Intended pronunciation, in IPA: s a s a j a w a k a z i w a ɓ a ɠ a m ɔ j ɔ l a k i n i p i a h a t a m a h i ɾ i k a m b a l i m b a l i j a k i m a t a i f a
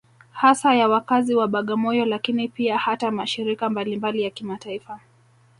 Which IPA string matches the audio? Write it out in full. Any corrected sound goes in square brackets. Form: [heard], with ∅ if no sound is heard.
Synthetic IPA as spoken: [h] a s a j a w a k a z i w a ɓ a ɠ a m ɔ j ɔ l a k i n i p i a h a t a m a [ʃ] i ɾ i k a m b a l i m b a l i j a k i m a t a i f a